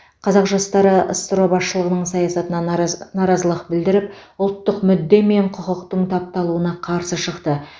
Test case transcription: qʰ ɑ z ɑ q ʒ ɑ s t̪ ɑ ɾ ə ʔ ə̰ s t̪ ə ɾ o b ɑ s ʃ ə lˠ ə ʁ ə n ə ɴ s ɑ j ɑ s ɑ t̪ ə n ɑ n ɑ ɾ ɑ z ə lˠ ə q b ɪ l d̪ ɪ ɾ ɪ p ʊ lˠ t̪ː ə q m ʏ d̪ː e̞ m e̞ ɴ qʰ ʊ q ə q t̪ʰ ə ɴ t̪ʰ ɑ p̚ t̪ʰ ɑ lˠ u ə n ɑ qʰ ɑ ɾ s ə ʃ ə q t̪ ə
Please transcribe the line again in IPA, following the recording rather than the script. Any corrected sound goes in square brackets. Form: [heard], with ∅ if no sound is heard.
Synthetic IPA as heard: qʰ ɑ z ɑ q ʒ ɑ s t̪ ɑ ɾ ə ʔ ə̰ s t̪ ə ɾ o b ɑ s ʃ ə lˠ ə ʁ ə n ə ɴ s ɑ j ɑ s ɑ t̪ ə n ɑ n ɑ ɾ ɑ z ə lˠ ə q b ɪ l d̪ ɪ ɾ ɪ p ʊ lˠ t̪ː ə q m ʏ d̪ː e̞ m e̞ ɴ qʰ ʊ q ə q [t̪] ə ɴ t̪ʰ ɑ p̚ [t̪] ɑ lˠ u ə n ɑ qʰ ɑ ɾ s ə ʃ ə q t̪ ə

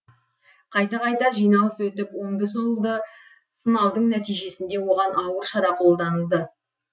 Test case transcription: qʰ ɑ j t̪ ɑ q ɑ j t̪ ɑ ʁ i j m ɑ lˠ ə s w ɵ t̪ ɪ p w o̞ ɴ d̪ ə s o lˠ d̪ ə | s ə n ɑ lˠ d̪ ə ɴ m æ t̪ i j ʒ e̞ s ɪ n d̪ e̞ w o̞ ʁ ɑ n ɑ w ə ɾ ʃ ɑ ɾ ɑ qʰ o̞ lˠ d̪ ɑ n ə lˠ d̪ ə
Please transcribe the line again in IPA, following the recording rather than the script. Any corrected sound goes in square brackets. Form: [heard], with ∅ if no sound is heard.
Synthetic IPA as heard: qʰ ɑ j t̪ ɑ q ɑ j t̪ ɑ [ʒ] i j [n] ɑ lˠ ə s w ɵ t̪ ɪ p w o̞ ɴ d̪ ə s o lˠ d̪ ə | s ə n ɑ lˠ d̪ ə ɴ [n] æ t̪ i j ʒ e̞ s ɪ n d̪ e̞ w o̞ ʁ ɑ n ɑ w ə ɾ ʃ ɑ ɾ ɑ qʰ o̞ lˠ d̪ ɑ n ə lˠ d̪ ə

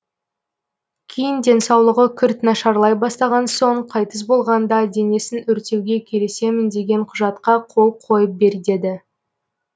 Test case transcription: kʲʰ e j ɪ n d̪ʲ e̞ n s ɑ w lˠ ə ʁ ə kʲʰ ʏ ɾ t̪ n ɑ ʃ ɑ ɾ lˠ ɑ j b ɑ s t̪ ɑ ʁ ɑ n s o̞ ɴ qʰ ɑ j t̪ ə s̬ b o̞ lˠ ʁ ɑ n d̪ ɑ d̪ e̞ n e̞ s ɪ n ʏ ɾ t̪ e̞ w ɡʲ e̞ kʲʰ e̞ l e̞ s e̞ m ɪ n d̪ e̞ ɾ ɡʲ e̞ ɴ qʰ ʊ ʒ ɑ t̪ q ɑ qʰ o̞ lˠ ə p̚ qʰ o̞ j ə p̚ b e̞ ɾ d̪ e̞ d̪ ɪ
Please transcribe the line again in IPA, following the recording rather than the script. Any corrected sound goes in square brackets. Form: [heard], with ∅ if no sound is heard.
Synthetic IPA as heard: kʲʰ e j ɪ n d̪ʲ e̞ n s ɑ w lˠ ə ʁ ə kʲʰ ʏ ɾ t̪ n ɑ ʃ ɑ ɾ lˠ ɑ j b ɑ s t̪ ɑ ʁ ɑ n s o̞ ɴ qʰ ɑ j t̪ ə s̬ b o̞ lˠ ʁ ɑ n d̪ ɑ d̪ e̞ n e̞ s ɪ n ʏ ɾ t̪ e̞ w ɡʲ e̞ kʲʰ e̞ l e̞ s e̞ m ɪ n d̪ e̞ [∅] ɡʲ e̞ ɴ qʰ ʊ ʒ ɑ t̪ q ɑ qʰ o̞ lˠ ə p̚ qʰ o̞ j ə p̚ b e̞ ɾ d̪ e̞ d̪ ɪ

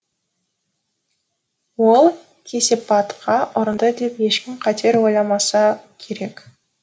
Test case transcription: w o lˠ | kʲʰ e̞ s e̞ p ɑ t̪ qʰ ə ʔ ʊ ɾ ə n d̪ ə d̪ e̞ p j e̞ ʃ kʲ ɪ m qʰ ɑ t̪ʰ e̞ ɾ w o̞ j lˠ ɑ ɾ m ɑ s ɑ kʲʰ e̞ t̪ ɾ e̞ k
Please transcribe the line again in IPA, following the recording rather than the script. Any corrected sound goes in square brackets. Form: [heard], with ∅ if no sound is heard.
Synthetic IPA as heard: w o lˠ | kʲʰ e̞ s e̞ p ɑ t̪ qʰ [ɑ] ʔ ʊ ɾ ə n d̪ ə d̪ e̞ p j e̞ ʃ kʲ ɪ m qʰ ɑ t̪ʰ e̞ ɾ w o̞ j lˠ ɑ [∅] m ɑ s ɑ kʲʰ e̞ [∅] ɾ e̞ k

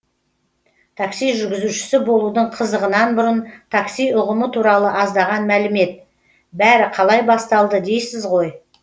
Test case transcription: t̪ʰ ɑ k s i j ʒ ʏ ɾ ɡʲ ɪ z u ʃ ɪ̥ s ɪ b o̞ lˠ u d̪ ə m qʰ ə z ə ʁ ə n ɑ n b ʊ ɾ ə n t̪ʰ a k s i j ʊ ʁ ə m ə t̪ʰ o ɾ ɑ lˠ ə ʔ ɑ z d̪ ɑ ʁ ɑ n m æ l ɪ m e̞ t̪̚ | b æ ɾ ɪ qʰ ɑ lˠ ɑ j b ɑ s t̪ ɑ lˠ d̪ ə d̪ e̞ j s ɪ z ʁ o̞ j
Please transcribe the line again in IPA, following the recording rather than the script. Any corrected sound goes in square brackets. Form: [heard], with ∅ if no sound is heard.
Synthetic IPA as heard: t̪ʰ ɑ k s i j ʒ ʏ ɾ ɡʲ ɪ z u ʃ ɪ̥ s ɪ b o̞ lˠ u d̪ ə [ɴ] qʰ ə z ə ʁ ə n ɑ n b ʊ ɾ ə n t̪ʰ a k s i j ʊ ʁ ə m ə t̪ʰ [u] ɾ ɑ lˠ ə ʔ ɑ z d̪ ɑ ʁ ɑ n m æ l ɪ m e̞ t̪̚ | b æ ɾ ɪ qʰ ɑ lˠ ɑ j b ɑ s t̪ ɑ lˠ d̪ ə d̪ e̞ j s ɪ z ʁ o̞ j

